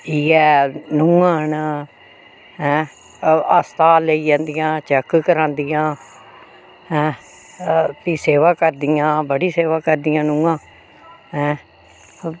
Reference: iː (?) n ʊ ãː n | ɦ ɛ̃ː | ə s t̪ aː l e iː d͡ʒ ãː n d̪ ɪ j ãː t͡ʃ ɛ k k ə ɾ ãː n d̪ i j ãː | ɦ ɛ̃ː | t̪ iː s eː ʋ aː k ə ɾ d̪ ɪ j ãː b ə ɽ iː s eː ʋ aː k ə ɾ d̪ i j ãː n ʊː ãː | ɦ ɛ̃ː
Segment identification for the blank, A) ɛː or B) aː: A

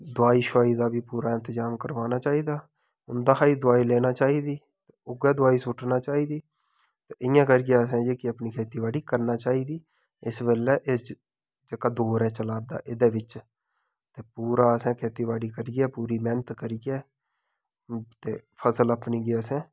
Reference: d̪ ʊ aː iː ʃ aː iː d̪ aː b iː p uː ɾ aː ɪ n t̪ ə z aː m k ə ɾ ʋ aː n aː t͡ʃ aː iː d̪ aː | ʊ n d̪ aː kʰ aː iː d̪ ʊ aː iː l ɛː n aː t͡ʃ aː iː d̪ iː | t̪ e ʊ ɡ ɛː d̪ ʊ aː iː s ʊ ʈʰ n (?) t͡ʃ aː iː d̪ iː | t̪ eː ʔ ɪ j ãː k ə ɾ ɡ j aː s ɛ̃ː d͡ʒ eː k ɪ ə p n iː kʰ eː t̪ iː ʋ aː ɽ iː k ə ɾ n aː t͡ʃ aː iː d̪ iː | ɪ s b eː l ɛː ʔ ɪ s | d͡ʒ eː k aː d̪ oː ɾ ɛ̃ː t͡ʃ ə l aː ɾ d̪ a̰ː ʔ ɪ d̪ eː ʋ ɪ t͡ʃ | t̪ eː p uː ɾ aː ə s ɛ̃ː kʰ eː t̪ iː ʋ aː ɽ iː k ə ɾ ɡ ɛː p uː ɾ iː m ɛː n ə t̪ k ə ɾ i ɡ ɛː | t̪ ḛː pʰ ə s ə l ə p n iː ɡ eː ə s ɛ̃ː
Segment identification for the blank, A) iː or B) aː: B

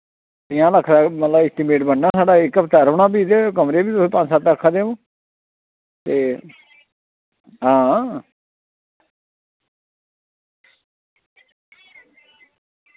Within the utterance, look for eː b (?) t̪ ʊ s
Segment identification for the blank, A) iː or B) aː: A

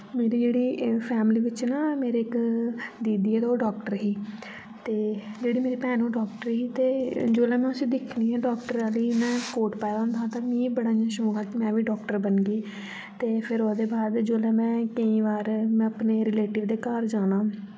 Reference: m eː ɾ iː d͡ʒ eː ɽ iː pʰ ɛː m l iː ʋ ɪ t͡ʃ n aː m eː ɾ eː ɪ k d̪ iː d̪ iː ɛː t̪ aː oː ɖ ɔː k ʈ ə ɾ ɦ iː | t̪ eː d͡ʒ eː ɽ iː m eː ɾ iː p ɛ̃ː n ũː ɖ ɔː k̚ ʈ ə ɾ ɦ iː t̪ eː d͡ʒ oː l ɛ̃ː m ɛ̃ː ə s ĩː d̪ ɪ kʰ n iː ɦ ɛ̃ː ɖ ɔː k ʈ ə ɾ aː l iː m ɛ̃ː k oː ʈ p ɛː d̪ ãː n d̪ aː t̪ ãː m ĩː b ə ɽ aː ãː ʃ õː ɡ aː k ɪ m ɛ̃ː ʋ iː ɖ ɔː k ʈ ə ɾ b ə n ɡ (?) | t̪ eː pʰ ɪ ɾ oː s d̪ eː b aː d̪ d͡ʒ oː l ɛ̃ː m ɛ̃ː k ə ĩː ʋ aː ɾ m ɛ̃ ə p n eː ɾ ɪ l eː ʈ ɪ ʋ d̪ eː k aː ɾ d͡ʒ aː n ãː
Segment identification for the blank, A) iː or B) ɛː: A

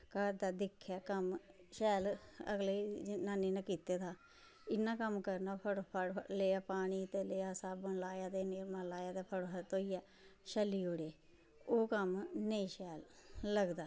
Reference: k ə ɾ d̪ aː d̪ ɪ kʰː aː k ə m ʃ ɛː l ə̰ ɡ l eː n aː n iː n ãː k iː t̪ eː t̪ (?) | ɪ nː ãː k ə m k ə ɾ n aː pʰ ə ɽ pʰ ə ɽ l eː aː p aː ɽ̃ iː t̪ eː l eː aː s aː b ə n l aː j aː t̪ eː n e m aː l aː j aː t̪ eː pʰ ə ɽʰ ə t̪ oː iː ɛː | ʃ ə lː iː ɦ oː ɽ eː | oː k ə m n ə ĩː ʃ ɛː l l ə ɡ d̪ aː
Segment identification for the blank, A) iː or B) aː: B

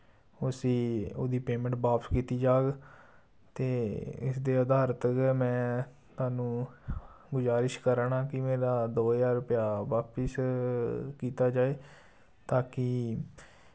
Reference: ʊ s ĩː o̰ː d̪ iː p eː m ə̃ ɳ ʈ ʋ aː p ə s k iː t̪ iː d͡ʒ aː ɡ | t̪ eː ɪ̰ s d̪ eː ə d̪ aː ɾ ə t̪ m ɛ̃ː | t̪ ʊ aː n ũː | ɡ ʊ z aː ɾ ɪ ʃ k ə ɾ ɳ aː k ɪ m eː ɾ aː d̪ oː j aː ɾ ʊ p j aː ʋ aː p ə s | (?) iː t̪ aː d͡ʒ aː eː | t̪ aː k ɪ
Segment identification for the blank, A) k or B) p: A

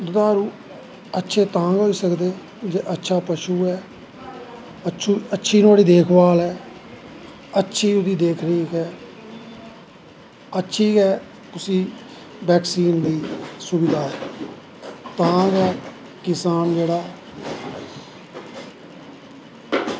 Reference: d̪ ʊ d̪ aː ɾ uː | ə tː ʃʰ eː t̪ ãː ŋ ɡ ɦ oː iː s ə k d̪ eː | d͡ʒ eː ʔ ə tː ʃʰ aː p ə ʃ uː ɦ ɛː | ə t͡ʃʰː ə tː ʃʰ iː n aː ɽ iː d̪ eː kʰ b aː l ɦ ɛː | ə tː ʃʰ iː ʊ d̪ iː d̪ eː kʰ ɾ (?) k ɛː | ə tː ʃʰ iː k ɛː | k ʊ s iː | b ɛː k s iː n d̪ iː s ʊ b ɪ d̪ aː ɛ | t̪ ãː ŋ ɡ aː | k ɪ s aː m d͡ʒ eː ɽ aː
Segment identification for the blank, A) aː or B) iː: B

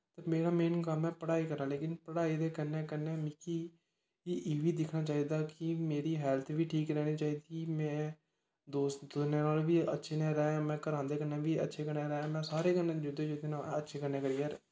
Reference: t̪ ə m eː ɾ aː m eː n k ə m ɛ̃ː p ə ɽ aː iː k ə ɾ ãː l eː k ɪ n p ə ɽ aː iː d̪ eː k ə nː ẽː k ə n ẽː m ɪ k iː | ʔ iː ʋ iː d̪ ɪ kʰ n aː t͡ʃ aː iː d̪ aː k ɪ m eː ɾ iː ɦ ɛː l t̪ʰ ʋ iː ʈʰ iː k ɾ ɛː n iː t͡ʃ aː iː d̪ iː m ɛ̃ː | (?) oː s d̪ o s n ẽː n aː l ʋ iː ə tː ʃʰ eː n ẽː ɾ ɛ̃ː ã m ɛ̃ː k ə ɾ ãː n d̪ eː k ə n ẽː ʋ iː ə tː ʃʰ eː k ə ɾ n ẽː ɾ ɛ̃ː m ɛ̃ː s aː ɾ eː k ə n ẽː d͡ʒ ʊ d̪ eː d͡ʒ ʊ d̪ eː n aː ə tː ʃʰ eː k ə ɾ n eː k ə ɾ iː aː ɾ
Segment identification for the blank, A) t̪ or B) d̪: B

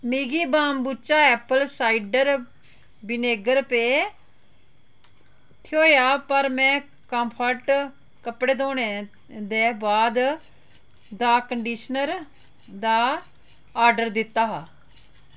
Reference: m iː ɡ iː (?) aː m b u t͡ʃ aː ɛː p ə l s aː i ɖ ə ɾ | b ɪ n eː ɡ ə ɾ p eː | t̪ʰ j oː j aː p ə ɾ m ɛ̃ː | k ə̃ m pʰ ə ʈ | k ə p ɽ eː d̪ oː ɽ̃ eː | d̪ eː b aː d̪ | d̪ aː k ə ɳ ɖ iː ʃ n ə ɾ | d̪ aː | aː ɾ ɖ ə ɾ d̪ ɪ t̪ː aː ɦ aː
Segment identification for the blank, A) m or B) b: B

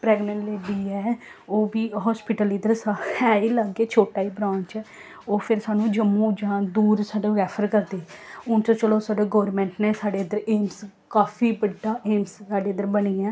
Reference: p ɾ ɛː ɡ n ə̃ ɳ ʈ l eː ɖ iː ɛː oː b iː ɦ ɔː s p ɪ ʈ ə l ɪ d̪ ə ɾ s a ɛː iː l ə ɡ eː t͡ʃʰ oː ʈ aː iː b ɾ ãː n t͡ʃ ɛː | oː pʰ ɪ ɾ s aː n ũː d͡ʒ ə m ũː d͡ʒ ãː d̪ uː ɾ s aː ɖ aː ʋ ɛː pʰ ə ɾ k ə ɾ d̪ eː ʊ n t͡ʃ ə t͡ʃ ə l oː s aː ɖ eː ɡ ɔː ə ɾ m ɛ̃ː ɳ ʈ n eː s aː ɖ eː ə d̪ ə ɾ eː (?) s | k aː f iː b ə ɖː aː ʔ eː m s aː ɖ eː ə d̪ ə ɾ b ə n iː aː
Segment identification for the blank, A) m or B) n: A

